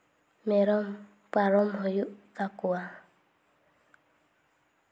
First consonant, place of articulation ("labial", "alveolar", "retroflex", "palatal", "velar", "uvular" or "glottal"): labial